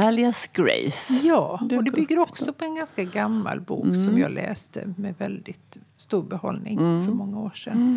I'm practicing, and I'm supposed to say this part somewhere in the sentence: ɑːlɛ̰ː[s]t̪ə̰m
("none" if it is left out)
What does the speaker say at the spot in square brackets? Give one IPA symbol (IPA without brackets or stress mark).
s